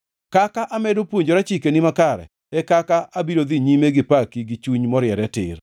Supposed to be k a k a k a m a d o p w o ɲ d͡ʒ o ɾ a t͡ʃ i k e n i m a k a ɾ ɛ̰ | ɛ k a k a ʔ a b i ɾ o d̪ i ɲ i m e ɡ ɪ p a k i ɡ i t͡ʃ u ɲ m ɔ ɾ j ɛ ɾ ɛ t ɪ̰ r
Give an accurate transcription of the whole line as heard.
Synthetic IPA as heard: k a k a ʔ a m ɛ d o p w o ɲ d͡ʒ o ɾ a t͡ʃ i k e n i m a k a ɾ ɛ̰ | ɛ k a k a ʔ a b i ɾ o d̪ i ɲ i m e ɡ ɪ p a k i ɡ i t͡ʃ u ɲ m ɔ ɾ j ɛ ɾ ɛ t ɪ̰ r